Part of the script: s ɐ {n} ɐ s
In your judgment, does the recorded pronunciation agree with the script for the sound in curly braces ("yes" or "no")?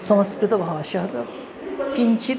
no